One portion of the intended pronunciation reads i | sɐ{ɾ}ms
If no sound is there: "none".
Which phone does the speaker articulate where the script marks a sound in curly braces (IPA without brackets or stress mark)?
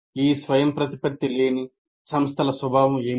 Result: none